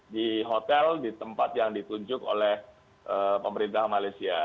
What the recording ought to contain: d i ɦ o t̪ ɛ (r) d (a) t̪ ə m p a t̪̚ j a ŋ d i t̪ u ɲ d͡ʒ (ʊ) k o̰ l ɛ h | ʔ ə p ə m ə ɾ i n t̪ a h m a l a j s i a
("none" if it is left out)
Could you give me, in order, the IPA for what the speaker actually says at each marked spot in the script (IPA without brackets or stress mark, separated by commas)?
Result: l, i, ʊ